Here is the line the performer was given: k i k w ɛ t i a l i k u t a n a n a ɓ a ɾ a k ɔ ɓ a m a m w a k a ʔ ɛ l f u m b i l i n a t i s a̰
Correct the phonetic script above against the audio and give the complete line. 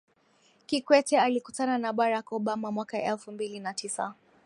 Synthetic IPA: k i k w ɛ t ɛ a l i k u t a n a n a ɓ a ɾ a k ɔ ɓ a m a m w a k a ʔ ɛ l f u m b i l i n a t i s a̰